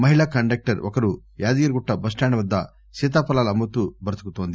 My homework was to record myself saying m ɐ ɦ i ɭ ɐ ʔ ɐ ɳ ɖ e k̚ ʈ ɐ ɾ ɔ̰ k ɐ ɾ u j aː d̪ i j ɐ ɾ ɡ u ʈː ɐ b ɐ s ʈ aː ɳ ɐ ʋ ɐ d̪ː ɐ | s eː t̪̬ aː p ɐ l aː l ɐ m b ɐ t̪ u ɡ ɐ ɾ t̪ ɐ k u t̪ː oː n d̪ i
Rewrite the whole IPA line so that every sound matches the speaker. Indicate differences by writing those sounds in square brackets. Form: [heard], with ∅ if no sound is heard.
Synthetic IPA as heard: m ɐ ɦ i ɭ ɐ [k] ɐ ɳ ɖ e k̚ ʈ ɐ ɾ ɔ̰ k ɐ ɾ u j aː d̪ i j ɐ ɾ ɡ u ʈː ɐ b ɐ s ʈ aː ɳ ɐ ʋ ɐ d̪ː ɐ | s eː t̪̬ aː p ɐ l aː l ɐ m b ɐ t̪ u [b] ɐ ɾ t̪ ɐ k u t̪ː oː n d̪ i